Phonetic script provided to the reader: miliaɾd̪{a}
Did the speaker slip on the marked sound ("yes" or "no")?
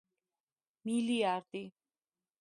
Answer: yes